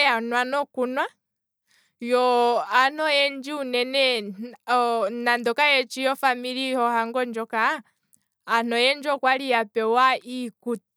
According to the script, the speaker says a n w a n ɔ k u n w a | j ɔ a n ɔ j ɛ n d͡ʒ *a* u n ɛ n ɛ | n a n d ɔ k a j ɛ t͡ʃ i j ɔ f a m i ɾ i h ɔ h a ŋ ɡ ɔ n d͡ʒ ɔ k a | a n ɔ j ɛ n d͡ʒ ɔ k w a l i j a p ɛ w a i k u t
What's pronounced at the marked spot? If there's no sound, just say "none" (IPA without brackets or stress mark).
i